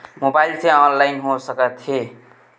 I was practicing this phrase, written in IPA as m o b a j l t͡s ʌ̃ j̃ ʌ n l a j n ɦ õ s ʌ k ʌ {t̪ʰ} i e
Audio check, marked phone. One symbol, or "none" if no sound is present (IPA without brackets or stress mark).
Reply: t̪ʰ